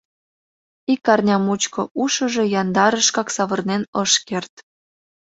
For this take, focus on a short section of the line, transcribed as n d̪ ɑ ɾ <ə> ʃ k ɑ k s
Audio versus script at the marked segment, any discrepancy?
no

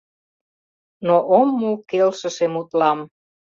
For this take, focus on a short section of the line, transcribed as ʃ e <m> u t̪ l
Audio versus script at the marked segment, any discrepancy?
no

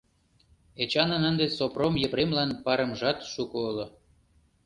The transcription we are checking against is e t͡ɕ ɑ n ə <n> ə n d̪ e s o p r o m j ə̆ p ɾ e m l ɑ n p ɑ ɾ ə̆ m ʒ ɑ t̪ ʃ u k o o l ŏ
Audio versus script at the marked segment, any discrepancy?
no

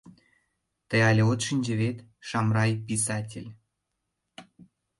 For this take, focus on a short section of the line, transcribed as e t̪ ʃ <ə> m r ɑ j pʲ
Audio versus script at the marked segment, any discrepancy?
yes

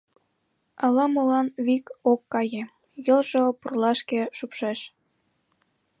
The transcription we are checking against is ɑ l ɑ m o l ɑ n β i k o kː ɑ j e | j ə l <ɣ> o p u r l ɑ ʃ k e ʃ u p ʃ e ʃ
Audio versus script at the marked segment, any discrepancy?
yes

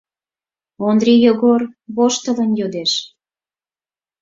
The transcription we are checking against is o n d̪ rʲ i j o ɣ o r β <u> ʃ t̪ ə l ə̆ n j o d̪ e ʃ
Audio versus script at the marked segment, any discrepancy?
yes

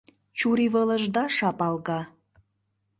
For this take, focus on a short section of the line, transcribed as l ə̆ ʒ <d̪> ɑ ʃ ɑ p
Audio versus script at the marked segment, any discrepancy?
no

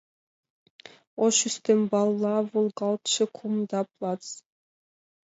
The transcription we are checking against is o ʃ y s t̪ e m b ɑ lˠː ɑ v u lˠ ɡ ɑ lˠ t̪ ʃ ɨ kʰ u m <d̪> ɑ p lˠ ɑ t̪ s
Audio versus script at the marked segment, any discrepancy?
no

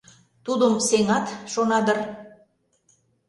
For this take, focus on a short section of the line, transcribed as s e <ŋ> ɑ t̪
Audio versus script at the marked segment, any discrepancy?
no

